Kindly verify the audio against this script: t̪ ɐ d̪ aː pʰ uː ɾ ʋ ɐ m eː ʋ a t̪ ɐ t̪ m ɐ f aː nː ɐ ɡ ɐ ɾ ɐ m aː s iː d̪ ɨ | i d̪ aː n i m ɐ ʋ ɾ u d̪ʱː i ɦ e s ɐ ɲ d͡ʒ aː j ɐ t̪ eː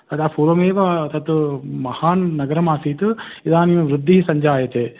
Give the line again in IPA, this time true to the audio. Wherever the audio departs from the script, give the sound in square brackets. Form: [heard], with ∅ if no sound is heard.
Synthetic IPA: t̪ ɐ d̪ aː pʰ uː ɾ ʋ ɐ m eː ʋ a t̪ ɐ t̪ m ɐ [h] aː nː ɐ ɡ ɐ ɾ ɐ m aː s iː [t̪] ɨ | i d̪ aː n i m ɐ ʋ ɾ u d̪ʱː i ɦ [i] s ɐ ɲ d͡ʒ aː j ɐ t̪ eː